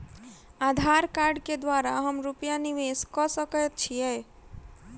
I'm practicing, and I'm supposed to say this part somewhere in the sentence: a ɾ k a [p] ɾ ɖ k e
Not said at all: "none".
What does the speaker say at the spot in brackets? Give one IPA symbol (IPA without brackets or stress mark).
none